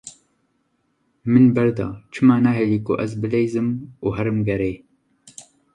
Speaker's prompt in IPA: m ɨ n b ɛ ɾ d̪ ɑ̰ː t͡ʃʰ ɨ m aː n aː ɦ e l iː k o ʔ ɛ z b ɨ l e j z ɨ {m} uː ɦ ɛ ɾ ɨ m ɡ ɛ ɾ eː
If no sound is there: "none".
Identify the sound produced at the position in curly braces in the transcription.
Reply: m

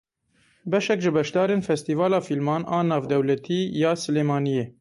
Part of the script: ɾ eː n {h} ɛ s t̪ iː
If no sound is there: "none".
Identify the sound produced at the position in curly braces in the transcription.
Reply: f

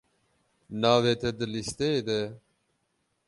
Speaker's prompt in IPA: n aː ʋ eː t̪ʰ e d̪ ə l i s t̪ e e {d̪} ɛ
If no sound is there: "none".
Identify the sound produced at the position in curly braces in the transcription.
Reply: d̪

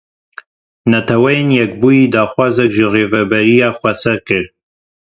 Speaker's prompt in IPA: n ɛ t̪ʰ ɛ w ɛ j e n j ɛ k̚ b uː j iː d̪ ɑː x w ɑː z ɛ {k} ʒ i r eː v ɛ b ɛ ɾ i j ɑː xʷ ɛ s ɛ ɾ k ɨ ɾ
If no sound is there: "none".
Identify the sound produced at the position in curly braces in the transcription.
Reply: k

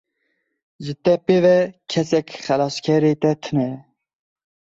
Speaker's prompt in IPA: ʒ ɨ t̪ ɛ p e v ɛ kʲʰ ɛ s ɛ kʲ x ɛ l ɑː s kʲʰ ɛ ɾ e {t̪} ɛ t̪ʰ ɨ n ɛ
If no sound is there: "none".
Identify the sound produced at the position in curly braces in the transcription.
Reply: t̪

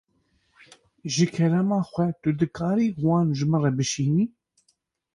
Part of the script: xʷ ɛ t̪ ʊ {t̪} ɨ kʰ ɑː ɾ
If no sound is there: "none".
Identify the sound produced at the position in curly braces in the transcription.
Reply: d̪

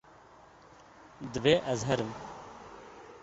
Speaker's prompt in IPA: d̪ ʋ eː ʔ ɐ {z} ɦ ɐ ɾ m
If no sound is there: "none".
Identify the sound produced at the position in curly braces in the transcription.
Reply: z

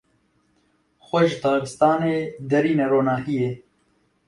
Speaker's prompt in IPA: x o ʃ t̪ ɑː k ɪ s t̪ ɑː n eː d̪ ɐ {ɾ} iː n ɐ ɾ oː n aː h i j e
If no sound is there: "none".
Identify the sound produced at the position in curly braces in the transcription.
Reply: ɾ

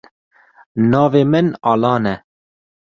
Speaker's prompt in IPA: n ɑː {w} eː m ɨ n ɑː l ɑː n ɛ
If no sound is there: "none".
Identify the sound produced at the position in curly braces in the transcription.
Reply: v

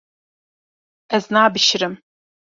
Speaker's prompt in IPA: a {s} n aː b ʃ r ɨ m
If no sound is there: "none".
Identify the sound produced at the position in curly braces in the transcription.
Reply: z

